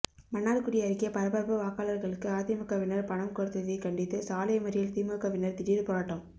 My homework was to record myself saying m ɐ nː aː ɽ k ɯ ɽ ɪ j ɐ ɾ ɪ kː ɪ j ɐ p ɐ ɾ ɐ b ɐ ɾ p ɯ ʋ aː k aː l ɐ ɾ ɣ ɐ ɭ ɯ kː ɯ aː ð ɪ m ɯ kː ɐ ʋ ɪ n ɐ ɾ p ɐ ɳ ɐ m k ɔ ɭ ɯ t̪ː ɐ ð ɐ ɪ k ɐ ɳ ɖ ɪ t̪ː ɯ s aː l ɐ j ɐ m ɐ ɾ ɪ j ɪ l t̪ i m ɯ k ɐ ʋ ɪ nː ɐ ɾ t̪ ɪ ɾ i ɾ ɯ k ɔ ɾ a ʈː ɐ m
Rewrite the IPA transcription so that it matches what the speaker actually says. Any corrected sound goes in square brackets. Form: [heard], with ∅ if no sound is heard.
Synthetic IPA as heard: m ɐ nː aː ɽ k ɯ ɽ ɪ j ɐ ɾ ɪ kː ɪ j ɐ p ɐ ɾ ɐ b ɐ ɾ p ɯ ʋ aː k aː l ɐ ɾ ɣ ɐ ɭ ɯ kː ɯ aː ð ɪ m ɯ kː ɐ ʋ ɪ n ɐ ɾ p ɐ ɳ ɐ m k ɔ [ɾ] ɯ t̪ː ɐ ð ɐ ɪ k ɐ ɳ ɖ ɪ t̪ː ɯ s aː l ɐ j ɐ m ɐ ɾ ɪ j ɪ l t̪ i m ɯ k ɐ ʋ ɪ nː ɐ ɾ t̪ ɪ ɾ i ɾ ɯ [p] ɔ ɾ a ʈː ɐ m